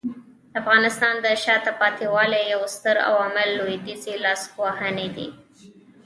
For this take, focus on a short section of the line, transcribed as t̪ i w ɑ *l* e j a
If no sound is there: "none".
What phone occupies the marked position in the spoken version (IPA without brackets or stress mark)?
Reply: l